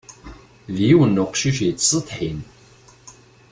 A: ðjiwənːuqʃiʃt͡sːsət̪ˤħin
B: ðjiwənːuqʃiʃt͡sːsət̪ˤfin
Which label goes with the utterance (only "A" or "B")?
A